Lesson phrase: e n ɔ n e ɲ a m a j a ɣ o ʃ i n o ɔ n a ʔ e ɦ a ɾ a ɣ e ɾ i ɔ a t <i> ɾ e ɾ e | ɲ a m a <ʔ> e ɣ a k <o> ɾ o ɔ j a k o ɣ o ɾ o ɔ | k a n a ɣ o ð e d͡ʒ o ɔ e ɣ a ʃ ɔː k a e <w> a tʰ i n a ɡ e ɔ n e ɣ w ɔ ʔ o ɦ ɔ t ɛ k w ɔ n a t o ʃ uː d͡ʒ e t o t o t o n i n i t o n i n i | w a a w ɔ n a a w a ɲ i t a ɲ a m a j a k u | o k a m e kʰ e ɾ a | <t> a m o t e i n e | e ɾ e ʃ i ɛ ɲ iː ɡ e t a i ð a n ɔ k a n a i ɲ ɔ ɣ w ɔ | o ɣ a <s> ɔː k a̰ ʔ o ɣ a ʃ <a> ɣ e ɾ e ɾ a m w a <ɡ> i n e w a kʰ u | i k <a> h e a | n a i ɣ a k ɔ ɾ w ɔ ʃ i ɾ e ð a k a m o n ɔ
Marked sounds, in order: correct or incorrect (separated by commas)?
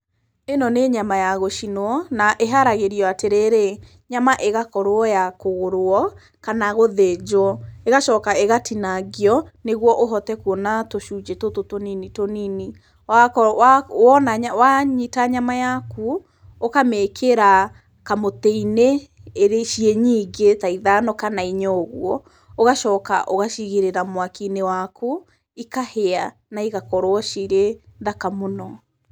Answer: incorrect, correct, incorrect, incorrect, incorrect, incorrect, incorrect, incorrect, correct